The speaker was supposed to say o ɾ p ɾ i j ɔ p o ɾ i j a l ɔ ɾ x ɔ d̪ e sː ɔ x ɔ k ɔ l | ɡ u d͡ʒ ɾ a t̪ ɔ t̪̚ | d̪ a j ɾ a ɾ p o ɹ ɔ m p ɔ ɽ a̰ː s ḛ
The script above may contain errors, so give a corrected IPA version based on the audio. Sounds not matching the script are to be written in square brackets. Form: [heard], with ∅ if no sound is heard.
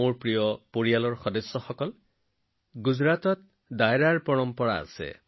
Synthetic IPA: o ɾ p ɾ i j ɔ p o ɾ i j a l ɔ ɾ x ɔ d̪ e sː ɔ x ɔ k ɔ l | ɡ u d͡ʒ ɾ a t̪ ɔ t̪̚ | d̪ a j ɾ a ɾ p [ɔ] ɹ ɔ m p ɔ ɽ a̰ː s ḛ